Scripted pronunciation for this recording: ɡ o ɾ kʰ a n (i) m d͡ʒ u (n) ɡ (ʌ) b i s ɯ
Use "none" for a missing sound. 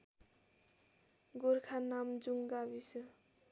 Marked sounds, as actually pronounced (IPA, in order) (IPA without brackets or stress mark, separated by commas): a, ŋ, a